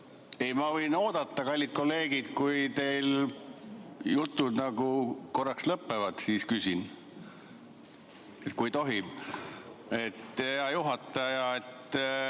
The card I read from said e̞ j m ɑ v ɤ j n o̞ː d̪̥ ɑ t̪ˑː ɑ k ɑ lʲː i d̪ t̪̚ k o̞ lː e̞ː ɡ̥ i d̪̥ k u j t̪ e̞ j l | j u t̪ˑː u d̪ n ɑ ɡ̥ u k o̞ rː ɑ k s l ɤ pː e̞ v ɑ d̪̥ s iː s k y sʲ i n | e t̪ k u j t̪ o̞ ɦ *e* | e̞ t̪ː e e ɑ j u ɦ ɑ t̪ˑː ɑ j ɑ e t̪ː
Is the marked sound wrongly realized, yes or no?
yes